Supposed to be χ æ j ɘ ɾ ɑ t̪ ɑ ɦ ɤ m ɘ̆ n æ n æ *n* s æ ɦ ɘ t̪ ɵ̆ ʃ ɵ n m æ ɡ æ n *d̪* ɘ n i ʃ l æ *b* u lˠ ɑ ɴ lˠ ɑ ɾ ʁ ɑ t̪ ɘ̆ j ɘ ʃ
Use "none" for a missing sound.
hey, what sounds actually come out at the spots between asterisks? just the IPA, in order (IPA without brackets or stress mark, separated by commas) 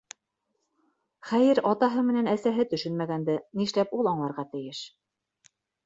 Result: none, d̪, p